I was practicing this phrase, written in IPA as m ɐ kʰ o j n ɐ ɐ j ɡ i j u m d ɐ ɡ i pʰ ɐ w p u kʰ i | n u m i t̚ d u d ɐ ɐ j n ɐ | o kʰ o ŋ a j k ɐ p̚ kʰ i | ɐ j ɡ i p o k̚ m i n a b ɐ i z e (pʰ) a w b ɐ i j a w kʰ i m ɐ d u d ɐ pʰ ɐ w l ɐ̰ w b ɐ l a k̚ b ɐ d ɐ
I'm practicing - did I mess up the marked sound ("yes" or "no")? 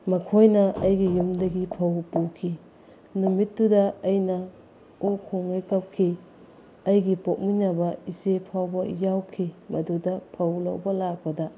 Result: no